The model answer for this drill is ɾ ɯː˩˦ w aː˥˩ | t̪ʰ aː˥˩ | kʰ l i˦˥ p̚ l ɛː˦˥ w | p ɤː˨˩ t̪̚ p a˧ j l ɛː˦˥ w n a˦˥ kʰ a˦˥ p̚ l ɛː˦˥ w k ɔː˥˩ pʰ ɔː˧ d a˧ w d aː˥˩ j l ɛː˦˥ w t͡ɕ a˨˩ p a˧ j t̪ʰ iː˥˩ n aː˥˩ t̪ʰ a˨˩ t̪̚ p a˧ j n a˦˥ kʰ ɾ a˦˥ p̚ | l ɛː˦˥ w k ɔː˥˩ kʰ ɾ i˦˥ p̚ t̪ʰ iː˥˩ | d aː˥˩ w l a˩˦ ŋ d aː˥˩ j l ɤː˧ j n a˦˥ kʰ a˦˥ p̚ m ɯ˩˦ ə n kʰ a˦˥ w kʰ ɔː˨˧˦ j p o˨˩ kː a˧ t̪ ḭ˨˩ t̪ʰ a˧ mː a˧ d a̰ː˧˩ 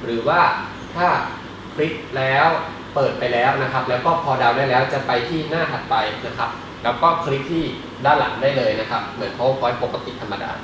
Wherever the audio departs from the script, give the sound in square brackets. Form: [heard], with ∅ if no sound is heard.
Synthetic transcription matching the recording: ɾ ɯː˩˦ w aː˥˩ | t̪ʰ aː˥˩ | kʰ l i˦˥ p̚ l ɛː˦˥ w | p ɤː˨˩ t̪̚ p a˧ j l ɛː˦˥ w n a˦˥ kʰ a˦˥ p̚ l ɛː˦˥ w k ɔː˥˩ pʰ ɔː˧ d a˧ w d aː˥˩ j l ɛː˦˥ w t͡ɕ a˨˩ p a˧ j t̪ʰ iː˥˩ n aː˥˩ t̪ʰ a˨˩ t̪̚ p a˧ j n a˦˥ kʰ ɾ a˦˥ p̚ | l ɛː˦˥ w k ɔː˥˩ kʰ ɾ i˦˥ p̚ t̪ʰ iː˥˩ | d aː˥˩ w l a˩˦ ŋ d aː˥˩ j l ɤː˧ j n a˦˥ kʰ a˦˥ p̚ m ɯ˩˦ ə n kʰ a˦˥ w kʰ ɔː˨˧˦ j p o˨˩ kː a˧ t̪ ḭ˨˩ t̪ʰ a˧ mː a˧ d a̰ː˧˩